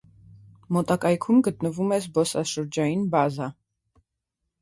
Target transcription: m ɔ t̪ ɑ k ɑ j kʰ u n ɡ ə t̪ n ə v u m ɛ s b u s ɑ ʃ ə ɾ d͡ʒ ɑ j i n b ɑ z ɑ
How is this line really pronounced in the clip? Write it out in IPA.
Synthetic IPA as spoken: m ɔ t̪ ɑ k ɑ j kʰ u m ɡ ə t̪ n ə v u m ɛ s b ɔ s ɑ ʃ ə ɾ d͡ʒ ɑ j i n b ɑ z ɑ